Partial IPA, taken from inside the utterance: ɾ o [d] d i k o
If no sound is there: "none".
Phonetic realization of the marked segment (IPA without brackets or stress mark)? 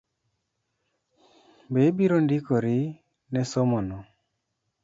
n